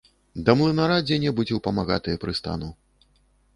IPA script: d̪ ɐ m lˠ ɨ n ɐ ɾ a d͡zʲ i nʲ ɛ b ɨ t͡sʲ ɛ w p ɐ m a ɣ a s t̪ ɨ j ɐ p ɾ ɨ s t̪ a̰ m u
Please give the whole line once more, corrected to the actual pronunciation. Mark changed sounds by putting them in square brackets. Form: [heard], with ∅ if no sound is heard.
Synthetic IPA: d̪ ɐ m lˠ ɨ n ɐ ɾ a d͡zʲ [ɛ] nʲ ɛ b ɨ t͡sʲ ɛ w p ɐ m a ɣ a [∅] t̪ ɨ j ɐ p ɾ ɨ s t̪ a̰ [n] u